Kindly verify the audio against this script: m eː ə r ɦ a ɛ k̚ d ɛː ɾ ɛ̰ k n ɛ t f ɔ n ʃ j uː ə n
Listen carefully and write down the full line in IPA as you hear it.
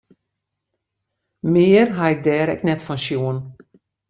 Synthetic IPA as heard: m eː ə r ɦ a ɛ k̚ d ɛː ɾ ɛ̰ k n ɛ t f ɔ n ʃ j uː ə n